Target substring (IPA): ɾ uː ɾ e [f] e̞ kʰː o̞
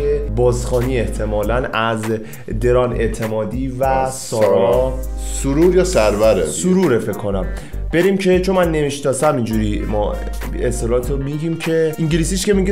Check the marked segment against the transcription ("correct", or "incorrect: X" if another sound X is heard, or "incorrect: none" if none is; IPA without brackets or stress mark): correct